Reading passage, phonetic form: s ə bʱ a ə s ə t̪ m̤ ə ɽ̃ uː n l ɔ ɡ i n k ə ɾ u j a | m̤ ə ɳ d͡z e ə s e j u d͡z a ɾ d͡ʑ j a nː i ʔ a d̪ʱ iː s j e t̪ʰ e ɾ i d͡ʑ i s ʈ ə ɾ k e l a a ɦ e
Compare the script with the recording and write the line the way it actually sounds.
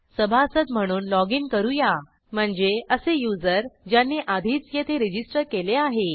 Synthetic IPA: s ə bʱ a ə s ə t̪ m̤ ə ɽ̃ uː n l ɔ ɡ i n k ə ɾ u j a | m̤ ə ɳ d͡z e ə s e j u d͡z ə ɾ d͡ʑ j a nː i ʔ a d̪ʱ iː t͡s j e t̪ʰ e ɾ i d͡ʑ i s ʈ ə ɾ k e l e a ɦ e